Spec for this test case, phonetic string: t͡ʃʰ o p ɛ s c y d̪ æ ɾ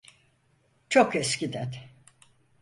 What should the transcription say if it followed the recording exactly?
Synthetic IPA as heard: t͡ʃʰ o k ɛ s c i d̪ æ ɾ